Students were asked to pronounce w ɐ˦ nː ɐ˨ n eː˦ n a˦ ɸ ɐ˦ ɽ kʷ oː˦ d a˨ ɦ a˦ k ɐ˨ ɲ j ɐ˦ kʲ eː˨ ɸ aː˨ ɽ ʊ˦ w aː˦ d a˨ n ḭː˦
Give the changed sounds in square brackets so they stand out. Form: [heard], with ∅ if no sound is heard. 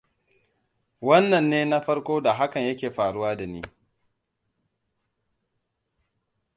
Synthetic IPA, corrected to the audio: w ɐ˦ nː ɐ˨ [nː] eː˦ n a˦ ɸ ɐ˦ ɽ kʷ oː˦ d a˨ ɦ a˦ k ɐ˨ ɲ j ɐ˦ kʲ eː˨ ɸ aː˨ ɽ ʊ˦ w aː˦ d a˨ n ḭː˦